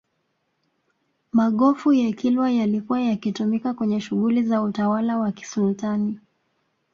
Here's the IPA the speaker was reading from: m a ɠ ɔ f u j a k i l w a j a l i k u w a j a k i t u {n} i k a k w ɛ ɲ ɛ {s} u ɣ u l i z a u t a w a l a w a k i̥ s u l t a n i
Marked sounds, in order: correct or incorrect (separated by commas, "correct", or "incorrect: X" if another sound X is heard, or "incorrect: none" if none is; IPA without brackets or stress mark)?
incorrect: m, incorrect: ʃ